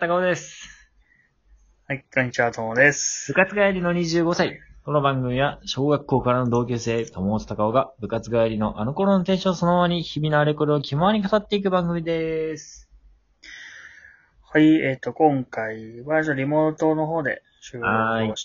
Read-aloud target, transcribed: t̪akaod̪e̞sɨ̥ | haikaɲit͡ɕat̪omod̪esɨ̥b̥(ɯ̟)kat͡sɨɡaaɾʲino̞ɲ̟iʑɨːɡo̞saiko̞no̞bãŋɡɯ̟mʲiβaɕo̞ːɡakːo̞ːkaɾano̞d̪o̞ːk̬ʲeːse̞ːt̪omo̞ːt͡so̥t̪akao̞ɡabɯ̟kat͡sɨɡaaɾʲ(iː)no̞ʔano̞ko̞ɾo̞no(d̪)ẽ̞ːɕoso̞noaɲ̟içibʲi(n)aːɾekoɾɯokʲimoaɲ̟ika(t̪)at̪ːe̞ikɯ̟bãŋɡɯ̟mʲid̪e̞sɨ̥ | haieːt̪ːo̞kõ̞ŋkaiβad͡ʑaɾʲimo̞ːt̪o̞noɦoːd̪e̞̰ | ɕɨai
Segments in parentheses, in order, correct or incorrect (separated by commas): correct, incorrect, incorrect, correct, correct